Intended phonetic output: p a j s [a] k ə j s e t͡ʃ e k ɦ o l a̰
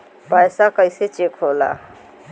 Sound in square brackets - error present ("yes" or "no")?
no